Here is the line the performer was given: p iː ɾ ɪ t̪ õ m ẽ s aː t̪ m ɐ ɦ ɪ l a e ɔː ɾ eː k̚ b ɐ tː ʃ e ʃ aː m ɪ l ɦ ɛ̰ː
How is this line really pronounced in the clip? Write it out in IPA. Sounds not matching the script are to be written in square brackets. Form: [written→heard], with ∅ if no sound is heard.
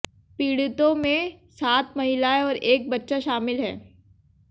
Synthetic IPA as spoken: p iː [ɾ→ɽ] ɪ t̪ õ m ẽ s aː t̪ m ɐ ɦ ɪ l a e ɔː ɾ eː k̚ b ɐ tː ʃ [e→a] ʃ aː m ɪ l ɦ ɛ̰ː

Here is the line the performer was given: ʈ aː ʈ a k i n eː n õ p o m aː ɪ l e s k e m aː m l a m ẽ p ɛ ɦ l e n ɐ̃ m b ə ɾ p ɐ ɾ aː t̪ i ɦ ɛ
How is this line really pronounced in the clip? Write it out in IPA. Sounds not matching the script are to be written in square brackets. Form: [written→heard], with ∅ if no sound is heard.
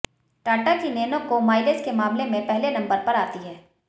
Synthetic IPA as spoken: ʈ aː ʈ a k i n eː n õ [p→k] o m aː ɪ l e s k e m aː m l [a→e] m ẽ p ɛ ɦ l e n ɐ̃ m b ə ɾ p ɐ ɾ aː t̪ i ɦ [ɛ→ɛː]

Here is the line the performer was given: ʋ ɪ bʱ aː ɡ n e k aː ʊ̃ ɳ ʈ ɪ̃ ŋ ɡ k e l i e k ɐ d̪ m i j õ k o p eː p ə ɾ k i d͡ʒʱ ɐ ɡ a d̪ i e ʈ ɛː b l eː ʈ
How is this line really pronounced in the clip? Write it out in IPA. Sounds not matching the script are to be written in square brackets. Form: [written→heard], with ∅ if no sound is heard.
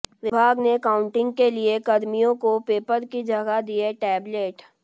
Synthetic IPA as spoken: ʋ ɪ bʱ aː ɡ n e k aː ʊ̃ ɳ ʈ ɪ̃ ŋ ɡ k e l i e k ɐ d̪ m i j õ k o p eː p ə ɾ k i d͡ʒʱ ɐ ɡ a d̪ i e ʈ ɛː b l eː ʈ

